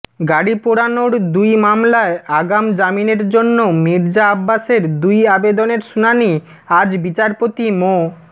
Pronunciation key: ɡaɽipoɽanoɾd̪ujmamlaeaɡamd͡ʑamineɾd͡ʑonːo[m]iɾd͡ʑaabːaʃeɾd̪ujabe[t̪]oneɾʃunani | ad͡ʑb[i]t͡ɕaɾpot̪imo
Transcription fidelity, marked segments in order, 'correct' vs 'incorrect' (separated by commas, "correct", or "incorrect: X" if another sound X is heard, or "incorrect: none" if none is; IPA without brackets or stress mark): correct, incorrect: d̪, correct